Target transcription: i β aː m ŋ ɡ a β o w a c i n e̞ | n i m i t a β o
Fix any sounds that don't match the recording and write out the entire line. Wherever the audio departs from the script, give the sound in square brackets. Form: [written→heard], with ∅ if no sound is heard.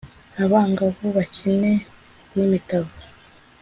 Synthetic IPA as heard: [i→a] β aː [m→∅] ŋ ɡ a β o [w→β] a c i n e̞ | n i m i t a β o